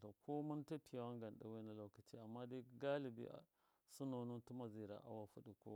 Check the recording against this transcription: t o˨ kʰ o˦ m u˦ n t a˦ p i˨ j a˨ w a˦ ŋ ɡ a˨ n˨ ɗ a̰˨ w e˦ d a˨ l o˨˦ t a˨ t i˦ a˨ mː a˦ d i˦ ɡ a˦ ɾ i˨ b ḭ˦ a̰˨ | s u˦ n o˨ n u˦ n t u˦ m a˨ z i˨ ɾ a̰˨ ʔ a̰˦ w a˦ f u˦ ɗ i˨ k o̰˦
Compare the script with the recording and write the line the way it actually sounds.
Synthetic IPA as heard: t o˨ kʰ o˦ m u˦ n t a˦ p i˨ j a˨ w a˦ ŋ ɡ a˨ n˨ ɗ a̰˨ w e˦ n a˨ l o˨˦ k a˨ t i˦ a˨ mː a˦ d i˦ ɡ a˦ l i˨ b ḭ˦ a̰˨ | s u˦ n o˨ n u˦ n t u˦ m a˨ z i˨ ɾ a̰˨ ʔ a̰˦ w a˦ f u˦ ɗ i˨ k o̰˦